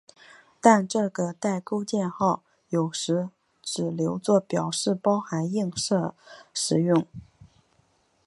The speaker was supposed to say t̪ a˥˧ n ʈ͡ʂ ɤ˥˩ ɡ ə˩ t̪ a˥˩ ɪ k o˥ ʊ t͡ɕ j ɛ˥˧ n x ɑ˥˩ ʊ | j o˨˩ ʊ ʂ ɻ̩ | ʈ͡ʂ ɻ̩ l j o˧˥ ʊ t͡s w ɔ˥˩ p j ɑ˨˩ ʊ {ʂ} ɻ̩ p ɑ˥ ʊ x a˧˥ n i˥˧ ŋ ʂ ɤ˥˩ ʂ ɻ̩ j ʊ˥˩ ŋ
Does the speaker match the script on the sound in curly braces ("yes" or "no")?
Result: yes